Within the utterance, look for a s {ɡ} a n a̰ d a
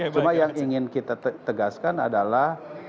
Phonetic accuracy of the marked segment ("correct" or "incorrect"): incorrect